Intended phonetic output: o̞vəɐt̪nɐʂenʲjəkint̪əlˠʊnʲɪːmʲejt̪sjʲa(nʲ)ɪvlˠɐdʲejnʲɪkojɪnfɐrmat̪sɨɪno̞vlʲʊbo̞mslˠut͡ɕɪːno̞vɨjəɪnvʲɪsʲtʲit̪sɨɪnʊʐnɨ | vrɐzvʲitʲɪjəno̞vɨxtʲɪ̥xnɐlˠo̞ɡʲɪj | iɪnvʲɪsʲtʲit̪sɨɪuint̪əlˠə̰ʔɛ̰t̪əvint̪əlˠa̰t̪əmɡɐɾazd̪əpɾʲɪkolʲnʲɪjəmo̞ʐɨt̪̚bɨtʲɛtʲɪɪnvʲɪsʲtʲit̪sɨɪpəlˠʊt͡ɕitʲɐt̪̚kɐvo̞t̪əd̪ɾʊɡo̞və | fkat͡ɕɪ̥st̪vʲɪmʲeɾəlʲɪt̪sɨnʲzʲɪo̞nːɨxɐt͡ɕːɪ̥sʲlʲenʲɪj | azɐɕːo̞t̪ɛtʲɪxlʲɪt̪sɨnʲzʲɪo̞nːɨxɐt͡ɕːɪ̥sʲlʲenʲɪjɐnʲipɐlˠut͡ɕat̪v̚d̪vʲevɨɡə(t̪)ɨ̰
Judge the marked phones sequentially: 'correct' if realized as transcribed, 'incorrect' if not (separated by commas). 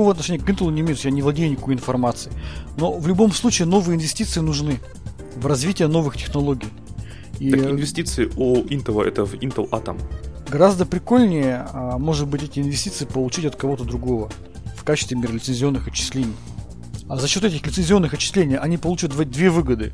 correct, incorrect